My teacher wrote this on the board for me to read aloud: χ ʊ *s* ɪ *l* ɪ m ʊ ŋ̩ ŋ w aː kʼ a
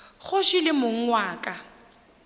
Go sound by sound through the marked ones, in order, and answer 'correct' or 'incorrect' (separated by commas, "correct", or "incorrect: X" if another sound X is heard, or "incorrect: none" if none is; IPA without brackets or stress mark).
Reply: incorrect: ʃ, correct